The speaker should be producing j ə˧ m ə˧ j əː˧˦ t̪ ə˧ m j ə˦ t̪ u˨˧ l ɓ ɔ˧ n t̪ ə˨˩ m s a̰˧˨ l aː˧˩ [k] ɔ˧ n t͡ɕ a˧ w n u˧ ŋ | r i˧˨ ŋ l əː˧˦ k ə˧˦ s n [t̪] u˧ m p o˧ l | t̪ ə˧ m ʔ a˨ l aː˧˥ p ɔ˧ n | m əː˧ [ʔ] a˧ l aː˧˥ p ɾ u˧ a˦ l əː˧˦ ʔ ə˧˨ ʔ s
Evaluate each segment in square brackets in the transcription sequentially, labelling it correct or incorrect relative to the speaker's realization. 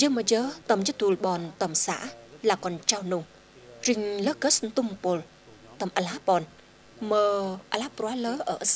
correct, correct, correct

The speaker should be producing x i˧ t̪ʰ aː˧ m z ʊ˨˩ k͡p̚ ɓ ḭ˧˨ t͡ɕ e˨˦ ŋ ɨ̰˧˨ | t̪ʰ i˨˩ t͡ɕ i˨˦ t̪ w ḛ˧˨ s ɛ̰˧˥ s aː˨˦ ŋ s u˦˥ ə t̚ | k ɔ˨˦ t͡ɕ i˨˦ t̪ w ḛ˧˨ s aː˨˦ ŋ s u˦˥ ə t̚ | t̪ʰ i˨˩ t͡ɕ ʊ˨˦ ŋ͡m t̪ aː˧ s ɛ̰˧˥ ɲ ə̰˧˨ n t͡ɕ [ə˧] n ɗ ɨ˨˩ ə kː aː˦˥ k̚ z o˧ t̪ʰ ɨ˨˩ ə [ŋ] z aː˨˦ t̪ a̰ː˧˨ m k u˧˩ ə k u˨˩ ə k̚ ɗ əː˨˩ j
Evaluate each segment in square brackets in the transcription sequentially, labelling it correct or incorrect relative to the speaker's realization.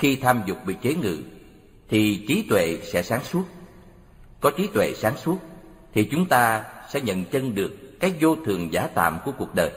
correct, correct

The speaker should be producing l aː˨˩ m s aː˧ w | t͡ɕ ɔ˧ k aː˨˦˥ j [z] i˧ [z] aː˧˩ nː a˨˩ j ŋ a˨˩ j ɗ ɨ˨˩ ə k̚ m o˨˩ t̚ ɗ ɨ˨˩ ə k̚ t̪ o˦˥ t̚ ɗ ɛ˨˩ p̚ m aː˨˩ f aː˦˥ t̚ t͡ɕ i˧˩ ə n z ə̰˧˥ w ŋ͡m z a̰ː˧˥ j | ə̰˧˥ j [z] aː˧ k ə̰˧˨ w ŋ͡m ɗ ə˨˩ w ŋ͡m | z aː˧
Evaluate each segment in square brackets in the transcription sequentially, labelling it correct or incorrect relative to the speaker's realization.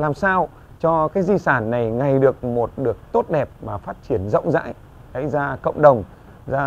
correct, incorrect: s, correct

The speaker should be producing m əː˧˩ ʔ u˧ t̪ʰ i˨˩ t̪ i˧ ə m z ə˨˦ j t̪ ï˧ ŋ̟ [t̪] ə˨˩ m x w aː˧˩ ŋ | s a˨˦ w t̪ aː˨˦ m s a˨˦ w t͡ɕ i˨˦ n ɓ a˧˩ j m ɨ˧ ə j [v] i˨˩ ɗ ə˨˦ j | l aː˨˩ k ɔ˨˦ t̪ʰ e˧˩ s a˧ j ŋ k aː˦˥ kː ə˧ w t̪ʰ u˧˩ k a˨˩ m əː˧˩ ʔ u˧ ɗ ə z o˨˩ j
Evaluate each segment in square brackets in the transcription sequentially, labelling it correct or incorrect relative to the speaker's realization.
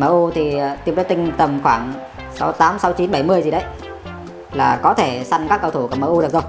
correct, incorrect: z

